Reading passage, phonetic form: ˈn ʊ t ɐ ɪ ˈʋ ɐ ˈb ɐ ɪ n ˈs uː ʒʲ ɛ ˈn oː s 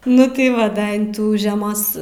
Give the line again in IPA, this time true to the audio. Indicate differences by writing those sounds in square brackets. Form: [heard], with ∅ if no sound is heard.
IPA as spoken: ˈn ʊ t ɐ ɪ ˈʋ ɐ [ˈd] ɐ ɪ n [ˈt] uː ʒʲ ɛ [ˈm] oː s